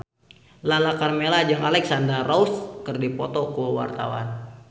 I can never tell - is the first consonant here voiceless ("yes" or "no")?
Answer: no